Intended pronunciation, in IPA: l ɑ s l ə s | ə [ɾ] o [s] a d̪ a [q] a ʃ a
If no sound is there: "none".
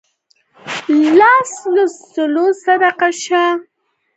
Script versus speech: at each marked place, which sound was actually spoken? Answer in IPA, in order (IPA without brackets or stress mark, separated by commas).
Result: l, s, q